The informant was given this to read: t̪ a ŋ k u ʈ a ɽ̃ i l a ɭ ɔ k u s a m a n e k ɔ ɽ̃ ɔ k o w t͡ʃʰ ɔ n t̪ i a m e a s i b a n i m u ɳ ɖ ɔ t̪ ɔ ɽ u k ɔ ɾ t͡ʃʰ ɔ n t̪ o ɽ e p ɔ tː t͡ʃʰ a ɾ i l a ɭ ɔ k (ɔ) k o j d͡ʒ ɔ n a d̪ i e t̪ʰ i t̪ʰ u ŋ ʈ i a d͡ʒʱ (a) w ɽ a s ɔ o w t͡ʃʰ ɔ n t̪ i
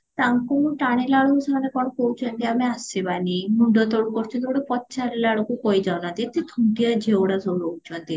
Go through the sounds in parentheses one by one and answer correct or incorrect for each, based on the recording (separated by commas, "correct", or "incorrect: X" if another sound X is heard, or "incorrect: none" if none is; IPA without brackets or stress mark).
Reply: incorrect: u, incorrect: e